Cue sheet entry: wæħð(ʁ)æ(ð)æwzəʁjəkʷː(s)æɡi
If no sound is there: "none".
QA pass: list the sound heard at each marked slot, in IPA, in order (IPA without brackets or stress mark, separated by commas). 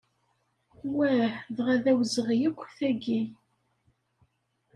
ʁ, ð, θ